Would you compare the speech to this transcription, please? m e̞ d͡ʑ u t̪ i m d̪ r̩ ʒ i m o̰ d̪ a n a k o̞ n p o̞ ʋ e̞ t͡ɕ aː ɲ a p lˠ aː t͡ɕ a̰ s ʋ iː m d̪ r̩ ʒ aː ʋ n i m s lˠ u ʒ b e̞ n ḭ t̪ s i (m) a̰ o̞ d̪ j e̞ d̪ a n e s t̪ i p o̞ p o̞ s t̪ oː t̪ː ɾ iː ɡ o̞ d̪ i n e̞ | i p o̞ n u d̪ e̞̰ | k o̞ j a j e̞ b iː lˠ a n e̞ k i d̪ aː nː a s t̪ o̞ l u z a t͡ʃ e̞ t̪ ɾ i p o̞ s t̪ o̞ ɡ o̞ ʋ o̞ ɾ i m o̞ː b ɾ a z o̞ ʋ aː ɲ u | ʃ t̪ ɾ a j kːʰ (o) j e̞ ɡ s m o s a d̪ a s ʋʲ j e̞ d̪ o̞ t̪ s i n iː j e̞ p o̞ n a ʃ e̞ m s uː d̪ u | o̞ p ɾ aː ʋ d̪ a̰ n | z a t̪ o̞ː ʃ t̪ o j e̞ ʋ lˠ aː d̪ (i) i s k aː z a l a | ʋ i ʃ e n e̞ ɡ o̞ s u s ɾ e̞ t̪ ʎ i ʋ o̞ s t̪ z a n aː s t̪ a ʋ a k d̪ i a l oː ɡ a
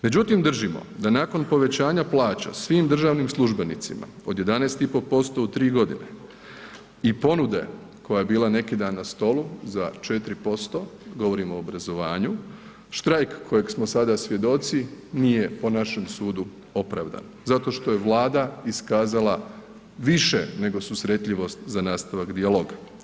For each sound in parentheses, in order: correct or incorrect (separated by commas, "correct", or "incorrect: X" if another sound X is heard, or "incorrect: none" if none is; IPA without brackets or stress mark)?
correct, correct, incorrect: a